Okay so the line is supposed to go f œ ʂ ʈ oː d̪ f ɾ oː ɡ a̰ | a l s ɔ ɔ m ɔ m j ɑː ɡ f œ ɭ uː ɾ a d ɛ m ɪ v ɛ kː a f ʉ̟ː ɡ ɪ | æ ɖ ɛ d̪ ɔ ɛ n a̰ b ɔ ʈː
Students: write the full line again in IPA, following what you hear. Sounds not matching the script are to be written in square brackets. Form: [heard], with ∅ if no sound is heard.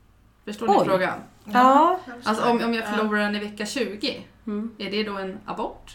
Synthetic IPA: f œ ʂ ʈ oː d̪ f ɾ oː ɡ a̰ | a l s ɔ ɔ m ɔ m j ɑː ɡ f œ ɭ uː ɾ a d ɛ [n] ɪ v ɛ kː a [ɕ] ʉ̟ː ɡ ɪ | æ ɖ ɛ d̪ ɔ ɛ n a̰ b ɔ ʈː